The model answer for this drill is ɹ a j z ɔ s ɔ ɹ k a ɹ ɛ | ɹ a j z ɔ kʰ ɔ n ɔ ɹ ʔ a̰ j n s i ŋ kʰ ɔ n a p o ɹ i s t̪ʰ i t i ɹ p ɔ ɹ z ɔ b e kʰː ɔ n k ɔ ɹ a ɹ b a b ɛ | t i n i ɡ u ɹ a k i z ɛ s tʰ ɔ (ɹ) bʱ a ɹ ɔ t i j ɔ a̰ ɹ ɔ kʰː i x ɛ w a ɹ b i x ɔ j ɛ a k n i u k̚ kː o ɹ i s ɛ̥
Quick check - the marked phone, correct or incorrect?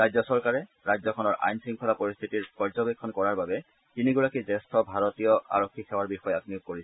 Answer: incorrect